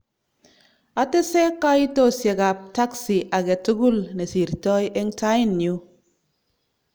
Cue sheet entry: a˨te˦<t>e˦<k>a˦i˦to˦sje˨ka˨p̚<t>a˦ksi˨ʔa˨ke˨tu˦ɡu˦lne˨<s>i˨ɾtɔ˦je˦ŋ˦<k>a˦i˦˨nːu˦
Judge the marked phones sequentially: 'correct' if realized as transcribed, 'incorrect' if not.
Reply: incorrect: s, correct, correct, correct, incorrect: t

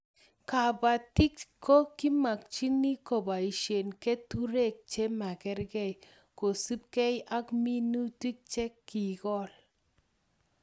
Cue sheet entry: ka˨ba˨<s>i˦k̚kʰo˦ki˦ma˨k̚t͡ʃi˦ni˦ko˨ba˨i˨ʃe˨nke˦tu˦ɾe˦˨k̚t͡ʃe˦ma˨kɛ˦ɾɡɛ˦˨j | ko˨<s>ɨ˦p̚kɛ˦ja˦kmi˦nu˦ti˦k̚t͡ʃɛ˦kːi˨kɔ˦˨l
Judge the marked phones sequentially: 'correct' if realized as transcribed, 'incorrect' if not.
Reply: incorrect: t, correct

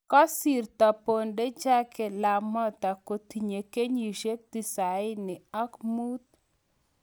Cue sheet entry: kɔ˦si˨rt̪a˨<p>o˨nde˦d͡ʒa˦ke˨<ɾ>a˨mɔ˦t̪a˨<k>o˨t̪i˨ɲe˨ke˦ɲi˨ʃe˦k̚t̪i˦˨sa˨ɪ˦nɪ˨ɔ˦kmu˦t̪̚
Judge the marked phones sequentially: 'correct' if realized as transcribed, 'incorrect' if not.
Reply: correct, incorrect: l, correct

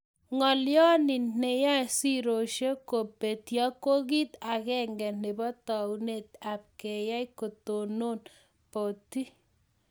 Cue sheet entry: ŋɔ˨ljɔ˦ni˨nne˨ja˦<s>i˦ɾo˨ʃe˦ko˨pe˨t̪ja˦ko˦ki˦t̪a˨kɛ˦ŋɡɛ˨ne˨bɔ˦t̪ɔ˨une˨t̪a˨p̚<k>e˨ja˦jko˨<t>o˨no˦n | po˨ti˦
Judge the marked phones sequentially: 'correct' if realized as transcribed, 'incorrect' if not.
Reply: correct, correct, correct

